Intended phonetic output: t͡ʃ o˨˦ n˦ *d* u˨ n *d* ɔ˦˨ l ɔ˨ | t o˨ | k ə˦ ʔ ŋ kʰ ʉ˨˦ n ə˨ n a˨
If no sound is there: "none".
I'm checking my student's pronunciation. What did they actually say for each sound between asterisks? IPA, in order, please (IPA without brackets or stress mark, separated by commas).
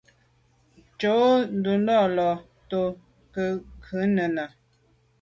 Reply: d, d